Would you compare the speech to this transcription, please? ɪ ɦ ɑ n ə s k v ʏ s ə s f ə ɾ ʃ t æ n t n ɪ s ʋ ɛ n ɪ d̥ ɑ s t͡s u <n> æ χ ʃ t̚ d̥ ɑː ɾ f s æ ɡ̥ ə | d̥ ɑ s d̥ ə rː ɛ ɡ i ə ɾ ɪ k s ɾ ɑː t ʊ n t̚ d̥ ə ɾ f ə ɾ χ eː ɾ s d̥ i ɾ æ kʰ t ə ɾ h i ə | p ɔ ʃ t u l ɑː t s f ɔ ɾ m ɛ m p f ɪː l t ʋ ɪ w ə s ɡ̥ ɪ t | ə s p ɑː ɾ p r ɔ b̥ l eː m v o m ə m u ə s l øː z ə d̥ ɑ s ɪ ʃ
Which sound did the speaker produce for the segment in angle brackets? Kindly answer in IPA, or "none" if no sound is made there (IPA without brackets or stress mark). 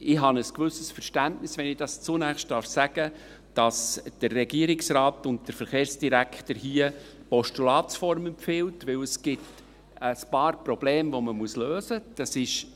n